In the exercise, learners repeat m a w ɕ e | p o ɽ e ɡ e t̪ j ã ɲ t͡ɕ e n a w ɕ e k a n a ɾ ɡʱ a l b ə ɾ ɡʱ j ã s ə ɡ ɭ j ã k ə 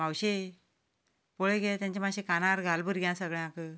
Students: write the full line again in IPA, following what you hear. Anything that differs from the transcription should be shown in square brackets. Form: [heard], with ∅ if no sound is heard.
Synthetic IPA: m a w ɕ e | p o [ɭ] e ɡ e t̪ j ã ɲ t͡ɕ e [m] a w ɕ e k a n a ɾ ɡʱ a l b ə ɾ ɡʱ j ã s ə ɡ ɭ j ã k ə